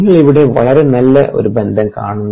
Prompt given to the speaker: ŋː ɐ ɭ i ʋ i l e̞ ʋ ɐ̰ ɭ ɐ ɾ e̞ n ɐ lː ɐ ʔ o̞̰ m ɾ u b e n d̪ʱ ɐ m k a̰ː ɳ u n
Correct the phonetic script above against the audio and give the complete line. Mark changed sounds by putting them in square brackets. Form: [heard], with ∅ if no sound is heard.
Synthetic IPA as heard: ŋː ɐ ɭ i ʋ i [ɽ] e̞ ʋ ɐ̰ ɭ ɐ ɾ e̞ n ɐ lː ɐ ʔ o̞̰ [∅] ɾ u b e n d̪ʱ ɐ m k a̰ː ɳ u [nː]